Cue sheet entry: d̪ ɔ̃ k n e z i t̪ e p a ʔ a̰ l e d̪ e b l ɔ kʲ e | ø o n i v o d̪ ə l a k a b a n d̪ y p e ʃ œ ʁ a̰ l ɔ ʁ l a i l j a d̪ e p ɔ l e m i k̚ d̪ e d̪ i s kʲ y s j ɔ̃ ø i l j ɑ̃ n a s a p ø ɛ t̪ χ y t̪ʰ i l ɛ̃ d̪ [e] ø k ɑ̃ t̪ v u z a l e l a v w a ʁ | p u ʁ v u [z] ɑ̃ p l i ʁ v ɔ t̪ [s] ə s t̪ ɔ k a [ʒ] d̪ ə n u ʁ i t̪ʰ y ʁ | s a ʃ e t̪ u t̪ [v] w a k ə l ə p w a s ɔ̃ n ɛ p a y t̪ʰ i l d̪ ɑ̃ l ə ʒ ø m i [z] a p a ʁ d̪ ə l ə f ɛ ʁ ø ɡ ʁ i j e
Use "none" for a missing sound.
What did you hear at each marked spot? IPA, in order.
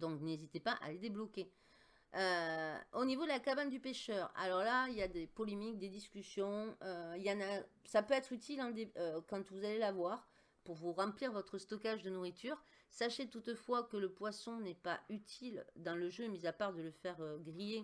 e, ʁ, χ, ʒ, f, z

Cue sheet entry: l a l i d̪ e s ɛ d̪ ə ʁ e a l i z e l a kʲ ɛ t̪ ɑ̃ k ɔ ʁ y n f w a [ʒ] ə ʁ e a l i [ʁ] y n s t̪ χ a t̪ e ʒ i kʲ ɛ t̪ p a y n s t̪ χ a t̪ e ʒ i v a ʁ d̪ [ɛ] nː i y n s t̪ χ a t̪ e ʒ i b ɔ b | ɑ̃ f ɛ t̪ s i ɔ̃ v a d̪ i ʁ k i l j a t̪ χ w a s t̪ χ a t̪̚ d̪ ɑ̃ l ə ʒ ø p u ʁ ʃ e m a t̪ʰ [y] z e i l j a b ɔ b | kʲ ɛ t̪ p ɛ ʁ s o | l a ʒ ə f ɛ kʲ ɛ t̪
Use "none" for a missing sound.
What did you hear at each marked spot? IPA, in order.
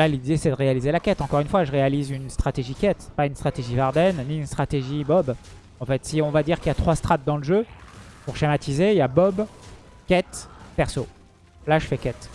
ʒ, z, ɛ, i

